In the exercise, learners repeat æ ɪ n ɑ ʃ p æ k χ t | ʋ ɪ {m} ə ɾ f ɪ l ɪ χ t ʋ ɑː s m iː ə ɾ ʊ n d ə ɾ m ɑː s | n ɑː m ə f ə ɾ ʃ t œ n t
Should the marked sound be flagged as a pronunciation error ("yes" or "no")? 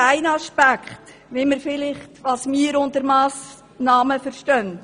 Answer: no